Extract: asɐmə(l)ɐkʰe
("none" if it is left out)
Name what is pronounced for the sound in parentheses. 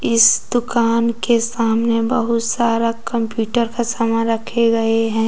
ɾ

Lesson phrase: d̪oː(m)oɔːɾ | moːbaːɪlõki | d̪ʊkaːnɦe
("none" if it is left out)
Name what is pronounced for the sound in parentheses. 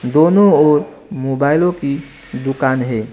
n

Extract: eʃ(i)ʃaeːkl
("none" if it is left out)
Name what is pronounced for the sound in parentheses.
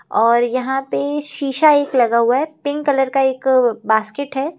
iː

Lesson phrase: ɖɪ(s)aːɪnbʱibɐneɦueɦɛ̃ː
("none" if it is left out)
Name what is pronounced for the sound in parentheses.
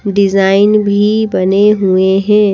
z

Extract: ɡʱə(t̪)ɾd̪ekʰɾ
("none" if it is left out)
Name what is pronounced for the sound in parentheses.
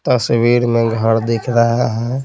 none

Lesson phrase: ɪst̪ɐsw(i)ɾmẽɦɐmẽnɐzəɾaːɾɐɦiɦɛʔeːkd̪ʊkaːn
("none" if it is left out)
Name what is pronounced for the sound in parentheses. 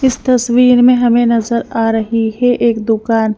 iː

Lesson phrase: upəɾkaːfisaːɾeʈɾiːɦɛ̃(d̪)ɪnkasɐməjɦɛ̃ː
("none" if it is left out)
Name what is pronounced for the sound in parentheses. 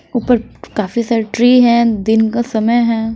d̪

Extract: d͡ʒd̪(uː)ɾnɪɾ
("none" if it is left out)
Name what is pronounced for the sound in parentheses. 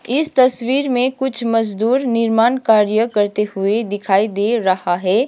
uː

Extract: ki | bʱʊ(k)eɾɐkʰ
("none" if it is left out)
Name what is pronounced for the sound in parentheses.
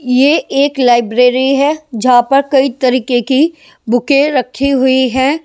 k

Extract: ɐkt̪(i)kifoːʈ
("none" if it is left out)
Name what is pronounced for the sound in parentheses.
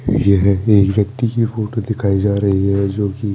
i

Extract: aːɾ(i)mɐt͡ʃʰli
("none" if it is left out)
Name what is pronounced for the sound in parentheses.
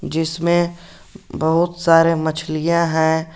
e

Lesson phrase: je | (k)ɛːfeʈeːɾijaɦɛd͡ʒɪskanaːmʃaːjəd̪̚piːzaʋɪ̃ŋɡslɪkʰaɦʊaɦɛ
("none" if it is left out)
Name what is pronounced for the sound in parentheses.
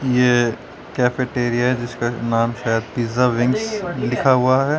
k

